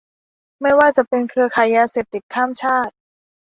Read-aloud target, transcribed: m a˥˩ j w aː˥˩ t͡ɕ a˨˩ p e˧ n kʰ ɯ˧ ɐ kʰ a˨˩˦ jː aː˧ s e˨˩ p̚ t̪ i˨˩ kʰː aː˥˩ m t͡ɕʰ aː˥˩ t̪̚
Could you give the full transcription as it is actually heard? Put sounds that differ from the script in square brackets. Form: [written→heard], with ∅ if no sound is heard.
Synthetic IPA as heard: m a˥˩ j w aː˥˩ t͡ɕ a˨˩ p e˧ n kʰ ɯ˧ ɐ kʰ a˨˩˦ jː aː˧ s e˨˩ p̚ t̪ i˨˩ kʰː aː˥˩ m t͡ɕʰ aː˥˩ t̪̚